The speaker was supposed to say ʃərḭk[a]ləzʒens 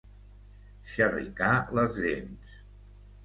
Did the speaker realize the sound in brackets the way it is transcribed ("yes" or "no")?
yes